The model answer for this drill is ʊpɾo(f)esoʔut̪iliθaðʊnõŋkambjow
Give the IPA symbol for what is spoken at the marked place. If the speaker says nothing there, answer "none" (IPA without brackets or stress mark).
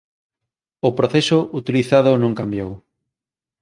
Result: θ